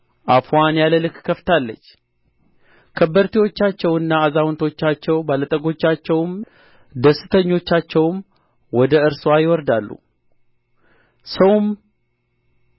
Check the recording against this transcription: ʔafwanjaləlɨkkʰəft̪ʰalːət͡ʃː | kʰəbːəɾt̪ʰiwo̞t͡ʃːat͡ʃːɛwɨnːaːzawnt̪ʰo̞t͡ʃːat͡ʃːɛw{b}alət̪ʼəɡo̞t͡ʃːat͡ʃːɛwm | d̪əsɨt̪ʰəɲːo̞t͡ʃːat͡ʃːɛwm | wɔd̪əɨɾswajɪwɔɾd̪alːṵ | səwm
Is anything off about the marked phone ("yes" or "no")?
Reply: no